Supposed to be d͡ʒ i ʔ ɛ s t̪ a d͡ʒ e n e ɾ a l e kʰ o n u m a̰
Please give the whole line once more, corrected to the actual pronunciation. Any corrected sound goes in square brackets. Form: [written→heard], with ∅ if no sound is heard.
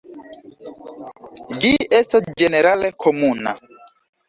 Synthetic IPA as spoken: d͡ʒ i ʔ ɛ s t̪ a d͡ʒ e n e ɾ a l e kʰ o [n→m] u [m→n] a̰